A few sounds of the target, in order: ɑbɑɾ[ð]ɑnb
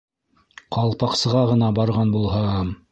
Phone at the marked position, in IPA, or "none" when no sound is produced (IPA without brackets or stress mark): ʁ